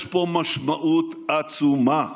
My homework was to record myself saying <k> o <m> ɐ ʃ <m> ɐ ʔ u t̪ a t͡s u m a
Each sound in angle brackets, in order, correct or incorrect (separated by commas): incorrect, correct, correct